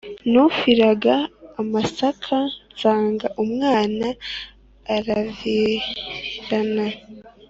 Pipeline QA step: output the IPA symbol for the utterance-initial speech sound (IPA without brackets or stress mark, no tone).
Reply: n